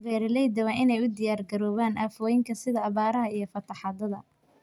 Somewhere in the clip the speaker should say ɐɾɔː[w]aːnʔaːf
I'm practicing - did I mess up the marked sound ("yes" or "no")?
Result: yes